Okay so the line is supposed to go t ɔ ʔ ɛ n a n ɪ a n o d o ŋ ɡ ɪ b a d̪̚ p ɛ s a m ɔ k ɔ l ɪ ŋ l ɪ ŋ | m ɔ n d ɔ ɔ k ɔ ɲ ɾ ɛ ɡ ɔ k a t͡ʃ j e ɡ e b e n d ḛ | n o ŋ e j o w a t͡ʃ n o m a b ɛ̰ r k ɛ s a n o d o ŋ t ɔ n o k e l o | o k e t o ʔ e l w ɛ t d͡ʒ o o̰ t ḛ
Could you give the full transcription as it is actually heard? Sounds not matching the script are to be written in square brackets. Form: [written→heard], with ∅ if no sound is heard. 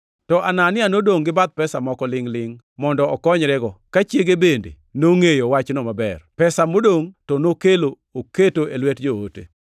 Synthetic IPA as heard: t ɔ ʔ [ɛ→a] n a n ɪ a n o d o ŋ ɡ ɪ b a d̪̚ p ɛ s a m ɔ k ɔ l ɪ ŋ l ɪ ŋ | m ɔ n d ɔ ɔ k ɔ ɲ ɾ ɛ ɡ ɔ k a t͡ʃ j e ɡ e b e n d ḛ | n o ŋ e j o w a t͡ʃ n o m a b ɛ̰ r [k→p] ɛ s a [n→m] o d o ŋ t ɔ n o k e l o | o k e t o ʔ e l w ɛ t d͡ʒ o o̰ t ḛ